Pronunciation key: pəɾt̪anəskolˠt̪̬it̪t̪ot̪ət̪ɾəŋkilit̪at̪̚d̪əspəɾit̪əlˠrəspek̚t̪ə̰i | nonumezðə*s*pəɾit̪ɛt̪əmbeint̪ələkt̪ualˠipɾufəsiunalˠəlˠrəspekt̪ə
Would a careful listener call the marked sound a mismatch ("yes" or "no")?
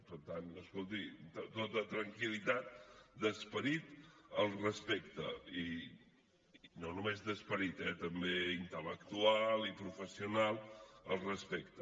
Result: no